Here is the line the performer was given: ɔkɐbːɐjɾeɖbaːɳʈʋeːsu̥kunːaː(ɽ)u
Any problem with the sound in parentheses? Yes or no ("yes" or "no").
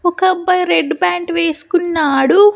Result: no